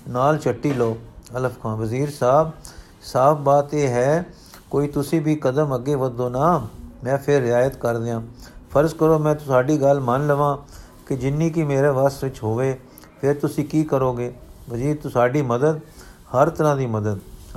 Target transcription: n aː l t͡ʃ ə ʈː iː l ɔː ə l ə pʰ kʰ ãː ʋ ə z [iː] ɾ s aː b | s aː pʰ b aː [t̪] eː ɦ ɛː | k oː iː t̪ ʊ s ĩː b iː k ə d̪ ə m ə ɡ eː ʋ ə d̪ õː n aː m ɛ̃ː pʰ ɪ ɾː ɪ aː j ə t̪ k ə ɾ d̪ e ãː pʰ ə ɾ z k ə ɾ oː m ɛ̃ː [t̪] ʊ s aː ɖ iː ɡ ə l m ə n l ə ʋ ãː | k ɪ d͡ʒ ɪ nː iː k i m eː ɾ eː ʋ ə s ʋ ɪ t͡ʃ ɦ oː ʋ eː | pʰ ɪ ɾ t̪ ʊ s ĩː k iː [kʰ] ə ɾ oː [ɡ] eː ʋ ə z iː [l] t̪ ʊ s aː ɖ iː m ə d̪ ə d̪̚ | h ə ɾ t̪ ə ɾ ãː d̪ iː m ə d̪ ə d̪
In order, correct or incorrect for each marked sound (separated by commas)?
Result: correct, correct, correct, incorrect, correct, incorrect